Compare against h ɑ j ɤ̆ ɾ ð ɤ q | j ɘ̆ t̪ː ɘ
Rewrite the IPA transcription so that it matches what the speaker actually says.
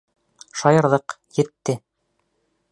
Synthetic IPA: ʃ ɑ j ɤ̆ ɾ ð ɤ q | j ɘ̆ t̪ː ɘ